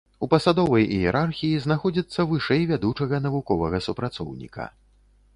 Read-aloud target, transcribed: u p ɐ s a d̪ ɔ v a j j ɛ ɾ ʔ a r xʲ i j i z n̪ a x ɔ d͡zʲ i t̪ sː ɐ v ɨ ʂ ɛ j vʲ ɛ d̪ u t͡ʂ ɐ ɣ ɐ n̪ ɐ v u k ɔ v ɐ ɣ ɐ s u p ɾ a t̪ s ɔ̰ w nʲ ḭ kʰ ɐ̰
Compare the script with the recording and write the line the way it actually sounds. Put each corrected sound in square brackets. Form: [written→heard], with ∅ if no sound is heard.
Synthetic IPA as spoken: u p ɐ s a d̪ ɔ v [a→ɐ] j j ɛ ɾ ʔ a r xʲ i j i z n̪ a x ɔ d͡zʲ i t̪ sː ɐ v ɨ ʂ ɛ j vʲ [ɛ→a] d̪ u t͡ʂ ɐ ɣ ɐ n̪ ɐ v u k ɔ v ɐ ɣ ɐ s u p ɾ a t̪ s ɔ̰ w nʲ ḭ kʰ ɐ̰